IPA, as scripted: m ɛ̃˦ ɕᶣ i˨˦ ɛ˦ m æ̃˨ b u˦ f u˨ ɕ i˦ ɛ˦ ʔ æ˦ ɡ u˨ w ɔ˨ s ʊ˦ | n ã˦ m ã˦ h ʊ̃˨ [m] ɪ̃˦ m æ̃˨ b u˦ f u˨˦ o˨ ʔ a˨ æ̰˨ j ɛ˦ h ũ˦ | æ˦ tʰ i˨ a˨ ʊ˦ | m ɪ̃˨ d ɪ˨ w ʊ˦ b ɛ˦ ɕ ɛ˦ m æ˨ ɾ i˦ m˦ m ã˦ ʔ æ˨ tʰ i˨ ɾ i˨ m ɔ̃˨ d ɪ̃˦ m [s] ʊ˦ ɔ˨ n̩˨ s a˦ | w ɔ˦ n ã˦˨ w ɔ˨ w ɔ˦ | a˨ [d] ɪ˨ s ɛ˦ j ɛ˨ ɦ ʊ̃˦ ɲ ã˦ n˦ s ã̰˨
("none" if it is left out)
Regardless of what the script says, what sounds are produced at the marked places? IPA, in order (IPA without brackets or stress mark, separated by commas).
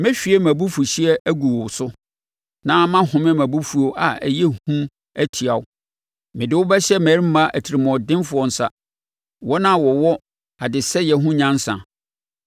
m, f, d